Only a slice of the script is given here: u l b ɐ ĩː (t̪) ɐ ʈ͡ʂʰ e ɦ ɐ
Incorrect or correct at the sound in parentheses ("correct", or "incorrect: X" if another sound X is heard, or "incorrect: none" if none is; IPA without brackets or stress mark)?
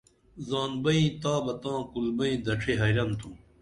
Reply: incorrect: d̪